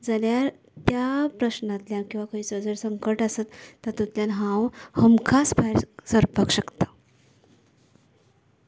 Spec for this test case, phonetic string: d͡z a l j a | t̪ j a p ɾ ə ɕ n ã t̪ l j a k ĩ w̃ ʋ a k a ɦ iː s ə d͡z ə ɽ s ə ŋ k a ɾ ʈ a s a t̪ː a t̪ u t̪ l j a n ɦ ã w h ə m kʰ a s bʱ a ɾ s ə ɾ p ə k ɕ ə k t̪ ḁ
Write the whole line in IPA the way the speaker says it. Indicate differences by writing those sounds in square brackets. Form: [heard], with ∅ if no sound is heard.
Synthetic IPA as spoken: d͡z a l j a | t̪ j a p ɾ ə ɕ n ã t̪ l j a k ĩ w̃ ʋ a k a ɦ iː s ə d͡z ə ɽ s ə ŋ k [ə] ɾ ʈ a s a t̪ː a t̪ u t̪ l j a n ɦ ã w h ə m kʰ a s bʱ a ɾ s ə ɾ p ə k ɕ ə k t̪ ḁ